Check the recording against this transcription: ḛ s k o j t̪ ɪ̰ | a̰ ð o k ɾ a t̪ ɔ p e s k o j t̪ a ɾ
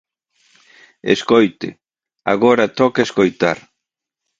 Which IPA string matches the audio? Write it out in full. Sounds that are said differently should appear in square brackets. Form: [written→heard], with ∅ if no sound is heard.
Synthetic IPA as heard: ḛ s k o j t̪ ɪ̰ | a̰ [ð→ɣ] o [k→∅] ɾ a t̪ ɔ [p→k] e s k o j t̪ a ɾ